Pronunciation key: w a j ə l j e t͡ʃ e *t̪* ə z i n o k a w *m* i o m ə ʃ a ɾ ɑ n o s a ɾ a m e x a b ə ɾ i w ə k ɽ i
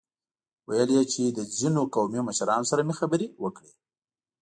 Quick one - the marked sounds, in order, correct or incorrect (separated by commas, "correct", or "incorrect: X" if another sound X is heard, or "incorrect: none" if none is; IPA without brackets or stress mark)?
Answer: incorrect: d̪, correct